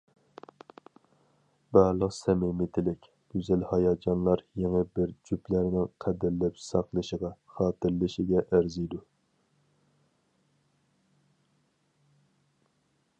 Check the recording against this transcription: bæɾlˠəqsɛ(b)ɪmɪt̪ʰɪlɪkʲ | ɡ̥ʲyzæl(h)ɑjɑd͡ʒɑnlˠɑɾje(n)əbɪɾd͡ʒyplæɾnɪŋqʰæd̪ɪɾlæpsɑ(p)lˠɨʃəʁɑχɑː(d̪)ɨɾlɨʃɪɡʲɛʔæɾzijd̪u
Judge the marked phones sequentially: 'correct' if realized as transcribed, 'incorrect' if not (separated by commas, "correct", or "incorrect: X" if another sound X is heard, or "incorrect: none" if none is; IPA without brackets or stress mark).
incorrect: m, correct, incorrect: ŋ, incorrect: q, incorrect: t̪